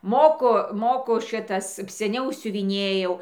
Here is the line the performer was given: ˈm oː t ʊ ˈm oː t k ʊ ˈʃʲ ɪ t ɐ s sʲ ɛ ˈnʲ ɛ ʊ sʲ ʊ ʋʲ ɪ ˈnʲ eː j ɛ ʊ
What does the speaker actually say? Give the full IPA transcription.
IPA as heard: ˈm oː k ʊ ˈm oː k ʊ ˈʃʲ ɪ t ɐ s sʲ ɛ ˈnʲ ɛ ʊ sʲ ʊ ʋʲ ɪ ˈnʲ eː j ɛ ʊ